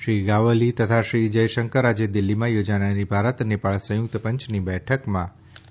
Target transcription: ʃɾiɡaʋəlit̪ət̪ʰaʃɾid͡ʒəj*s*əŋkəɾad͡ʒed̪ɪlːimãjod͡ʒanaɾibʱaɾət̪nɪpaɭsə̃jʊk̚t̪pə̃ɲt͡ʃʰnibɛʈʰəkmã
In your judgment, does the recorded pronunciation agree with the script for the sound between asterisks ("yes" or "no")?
no